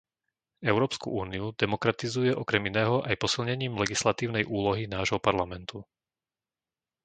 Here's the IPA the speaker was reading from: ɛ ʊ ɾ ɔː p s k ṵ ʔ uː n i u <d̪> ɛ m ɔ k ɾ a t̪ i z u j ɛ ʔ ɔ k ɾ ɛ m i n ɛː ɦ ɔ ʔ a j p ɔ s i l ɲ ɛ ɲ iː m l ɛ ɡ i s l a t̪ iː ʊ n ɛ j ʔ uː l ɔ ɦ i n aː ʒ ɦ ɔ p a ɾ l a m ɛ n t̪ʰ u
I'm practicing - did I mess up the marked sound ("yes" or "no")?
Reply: no